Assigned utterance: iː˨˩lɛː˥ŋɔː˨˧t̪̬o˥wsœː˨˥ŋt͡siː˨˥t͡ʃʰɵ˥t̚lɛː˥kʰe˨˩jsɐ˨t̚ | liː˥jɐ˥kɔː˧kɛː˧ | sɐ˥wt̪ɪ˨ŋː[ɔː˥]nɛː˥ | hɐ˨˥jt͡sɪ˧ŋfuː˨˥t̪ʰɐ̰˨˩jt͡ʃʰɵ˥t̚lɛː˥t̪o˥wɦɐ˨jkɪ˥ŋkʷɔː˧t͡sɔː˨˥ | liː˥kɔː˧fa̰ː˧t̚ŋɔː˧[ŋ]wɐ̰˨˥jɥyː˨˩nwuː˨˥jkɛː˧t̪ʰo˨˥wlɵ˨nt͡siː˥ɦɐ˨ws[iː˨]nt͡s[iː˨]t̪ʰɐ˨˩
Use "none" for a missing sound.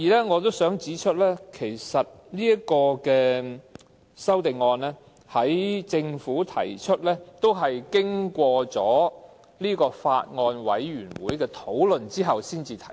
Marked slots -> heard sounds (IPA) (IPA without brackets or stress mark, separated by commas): ɔː˧, n, iː˥, iː˨